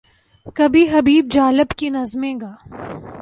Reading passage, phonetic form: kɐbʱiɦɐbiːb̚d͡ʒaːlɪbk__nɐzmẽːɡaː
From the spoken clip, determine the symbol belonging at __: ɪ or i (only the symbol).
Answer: i